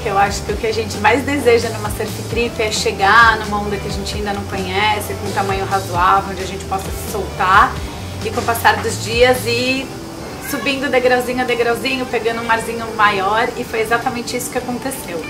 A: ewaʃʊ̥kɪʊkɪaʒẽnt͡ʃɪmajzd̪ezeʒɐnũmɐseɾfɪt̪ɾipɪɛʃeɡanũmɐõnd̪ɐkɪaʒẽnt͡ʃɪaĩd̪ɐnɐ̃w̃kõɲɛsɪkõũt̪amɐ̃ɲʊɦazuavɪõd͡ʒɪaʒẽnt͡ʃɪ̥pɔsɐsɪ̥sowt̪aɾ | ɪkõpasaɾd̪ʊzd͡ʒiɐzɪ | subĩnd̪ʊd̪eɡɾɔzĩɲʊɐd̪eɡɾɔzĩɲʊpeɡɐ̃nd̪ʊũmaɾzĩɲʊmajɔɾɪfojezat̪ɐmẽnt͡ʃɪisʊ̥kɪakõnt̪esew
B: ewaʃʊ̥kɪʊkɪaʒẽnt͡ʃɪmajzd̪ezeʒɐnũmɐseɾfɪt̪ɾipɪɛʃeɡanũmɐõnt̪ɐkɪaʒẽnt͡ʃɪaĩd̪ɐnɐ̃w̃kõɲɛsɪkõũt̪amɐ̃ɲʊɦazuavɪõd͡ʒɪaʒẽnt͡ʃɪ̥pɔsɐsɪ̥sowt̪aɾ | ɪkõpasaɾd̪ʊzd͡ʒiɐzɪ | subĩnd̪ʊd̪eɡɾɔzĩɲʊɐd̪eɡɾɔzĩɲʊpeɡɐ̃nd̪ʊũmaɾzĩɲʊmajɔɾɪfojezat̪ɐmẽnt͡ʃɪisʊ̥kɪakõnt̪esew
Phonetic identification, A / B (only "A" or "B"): A